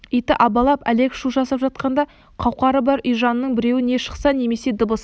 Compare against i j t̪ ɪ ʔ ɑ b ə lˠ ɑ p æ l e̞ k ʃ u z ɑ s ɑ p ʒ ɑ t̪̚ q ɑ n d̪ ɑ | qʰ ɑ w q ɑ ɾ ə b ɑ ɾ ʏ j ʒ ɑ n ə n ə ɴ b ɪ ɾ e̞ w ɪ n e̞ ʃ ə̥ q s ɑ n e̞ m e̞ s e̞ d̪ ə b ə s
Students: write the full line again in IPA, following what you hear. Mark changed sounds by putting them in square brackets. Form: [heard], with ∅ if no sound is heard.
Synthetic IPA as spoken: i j t̪ ɪ ʔ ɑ b [ɑ] lˠ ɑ p æ l e̞ k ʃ u [ʒ] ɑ s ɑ p ʒ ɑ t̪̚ q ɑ n d̪ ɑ | qʰ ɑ w q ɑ ɾ ə b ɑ ɾ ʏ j ʒ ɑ n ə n ə ɴ b ɪ ɾ e̞ w ɪ n e̞ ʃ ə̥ q s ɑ n e̞ m e̞ s e̞ d̪ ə b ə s